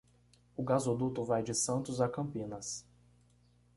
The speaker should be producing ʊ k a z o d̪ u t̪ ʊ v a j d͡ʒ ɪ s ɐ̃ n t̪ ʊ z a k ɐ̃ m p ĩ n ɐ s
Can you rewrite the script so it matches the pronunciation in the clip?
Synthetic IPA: ʊ ɡ a z o d̪ u t̪ ʊ v a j d͡ʒ ɪ s ɐ̃ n t̪ ʊ z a k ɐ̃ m p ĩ n ɐ s